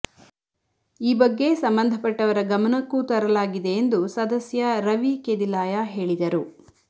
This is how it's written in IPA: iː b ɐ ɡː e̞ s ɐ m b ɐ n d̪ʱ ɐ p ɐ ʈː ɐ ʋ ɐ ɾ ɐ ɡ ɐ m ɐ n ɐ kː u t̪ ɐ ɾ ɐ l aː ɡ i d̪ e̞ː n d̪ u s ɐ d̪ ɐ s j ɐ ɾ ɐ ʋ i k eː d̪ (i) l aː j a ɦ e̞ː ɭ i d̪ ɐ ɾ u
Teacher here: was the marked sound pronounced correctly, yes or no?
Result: yes